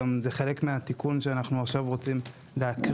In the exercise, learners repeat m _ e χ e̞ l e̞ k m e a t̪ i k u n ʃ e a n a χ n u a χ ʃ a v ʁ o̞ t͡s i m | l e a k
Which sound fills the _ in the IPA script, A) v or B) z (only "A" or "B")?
B